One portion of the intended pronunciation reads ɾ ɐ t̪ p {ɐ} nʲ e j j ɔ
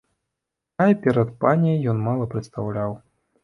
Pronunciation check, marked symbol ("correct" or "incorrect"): incorrect